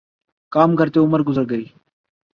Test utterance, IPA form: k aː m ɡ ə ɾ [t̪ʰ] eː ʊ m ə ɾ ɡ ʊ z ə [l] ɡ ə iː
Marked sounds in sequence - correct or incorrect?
incorrect, incorrect

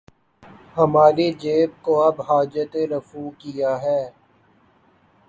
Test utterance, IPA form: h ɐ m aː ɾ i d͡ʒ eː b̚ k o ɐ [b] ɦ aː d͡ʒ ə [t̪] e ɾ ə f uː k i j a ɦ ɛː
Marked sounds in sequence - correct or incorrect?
correct, correct

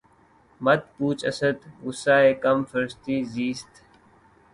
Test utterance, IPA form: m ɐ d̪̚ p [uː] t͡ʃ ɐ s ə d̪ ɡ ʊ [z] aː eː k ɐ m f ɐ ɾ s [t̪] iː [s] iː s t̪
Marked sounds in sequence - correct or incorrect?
correct, incorrect, correct, incorrect

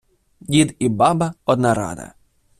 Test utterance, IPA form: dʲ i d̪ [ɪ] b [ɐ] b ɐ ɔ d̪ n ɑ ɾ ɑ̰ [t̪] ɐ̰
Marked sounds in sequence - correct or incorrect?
incorrect, incorrect, incorrect

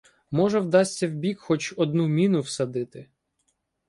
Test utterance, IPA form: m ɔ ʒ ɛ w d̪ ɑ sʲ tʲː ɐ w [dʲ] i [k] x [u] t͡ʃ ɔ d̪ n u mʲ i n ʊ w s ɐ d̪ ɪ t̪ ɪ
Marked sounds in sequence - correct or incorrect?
incorrect, correct, incorrect

